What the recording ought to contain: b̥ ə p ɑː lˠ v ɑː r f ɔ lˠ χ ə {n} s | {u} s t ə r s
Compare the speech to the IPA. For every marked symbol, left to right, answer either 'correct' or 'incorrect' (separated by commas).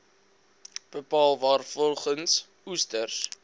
correct, correct